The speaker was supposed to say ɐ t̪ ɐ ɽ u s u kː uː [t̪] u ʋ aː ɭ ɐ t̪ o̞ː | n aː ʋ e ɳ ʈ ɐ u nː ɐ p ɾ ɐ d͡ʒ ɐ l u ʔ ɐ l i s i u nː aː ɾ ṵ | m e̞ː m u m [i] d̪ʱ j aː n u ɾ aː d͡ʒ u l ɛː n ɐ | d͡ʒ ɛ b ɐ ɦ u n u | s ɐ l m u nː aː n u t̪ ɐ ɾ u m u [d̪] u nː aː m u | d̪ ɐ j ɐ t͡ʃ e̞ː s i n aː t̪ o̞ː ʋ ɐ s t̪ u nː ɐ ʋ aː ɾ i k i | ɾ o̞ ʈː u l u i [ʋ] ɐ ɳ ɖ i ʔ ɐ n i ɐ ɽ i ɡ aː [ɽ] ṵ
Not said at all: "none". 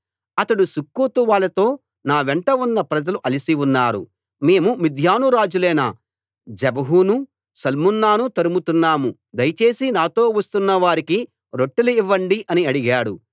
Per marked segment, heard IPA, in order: t̪, i, t̪, ʋː, ɽ

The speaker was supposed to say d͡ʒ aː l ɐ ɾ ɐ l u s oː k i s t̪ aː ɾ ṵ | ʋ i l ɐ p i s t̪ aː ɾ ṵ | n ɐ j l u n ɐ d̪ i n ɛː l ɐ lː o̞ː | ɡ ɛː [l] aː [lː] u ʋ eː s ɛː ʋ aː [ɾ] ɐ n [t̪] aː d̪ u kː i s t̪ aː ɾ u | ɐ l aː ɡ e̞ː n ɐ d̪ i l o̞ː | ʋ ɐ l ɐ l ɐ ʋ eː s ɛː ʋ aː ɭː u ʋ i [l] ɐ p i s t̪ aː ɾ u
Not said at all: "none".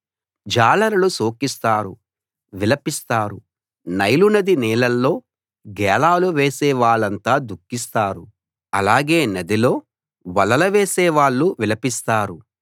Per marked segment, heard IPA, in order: l, l, ɭ, t̪, l

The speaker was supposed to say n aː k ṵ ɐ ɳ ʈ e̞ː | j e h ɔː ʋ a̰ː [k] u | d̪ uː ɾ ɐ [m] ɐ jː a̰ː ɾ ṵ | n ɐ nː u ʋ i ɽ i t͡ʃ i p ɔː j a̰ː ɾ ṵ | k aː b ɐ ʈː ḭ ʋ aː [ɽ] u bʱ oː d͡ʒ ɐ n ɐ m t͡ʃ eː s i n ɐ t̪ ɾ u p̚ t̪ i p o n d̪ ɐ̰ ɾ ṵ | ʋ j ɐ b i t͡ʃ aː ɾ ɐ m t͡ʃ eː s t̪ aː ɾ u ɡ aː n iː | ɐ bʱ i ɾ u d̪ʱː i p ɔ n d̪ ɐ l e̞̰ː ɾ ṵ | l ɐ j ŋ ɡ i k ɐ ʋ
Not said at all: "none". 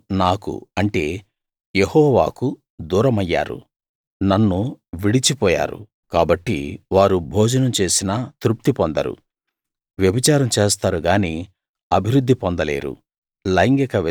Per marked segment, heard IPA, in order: k, m, ɾ

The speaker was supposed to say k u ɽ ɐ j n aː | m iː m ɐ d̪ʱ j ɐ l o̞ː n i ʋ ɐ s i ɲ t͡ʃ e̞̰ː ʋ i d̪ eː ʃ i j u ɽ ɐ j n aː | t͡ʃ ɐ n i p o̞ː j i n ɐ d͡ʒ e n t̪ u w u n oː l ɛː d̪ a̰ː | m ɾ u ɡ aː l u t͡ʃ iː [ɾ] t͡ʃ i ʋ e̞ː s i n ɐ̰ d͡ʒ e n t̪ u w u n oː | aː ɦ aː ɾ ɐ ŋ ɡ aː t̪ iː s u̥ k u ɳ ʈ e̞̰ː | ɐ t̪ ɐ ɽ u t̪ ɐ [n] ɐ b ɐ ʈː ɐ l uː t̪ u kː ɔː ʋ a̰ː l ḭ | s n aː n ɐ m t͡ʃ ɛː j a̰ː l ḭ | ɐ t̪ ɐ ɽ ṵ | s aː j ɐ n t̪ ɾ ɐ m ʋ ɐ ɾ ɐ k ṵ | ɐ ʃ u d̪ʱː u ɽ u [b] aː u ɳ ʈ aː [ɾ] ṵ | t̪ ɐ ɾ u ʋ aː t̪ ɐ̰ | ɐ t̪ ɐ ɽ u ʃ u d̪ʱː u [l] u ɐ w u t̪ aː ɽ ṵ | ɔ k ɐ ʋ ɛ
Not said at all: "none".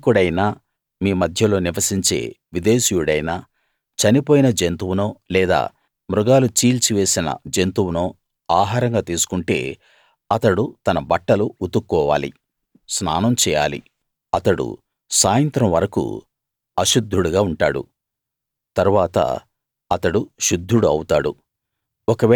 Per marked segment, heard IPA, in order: l, n, ɡ, ɽ, ɽ

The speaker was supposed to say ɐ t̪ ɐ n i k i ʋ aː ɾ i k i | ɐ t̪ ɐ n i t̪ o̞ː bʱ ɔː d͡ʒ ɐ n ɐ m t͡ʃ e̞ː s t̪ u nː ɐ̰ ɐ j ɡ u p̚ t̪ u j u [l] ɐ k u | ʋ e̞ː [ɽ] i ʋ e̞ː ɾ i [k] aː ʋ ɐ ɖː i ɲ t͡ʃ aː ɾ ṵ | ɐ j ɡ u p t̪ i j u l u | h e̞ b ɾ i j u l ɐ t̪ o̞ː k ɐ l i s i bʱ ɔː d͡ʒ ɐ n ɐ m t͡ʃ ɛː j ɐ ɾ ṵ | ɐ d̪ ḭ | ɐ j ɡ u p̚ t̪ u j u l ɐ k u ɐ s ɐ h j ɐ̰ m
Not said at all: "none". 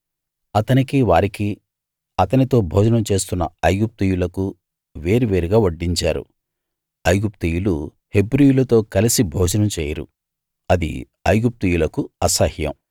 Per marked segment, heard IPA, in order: l, ɾ, ɡ

